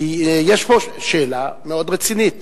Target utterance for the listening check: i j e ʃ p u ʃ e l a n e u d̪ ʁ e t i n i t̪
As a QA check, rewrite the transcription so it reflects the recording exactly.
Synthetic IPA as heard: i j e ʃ p o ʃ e l a m e o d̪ ʁ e t͡s i n i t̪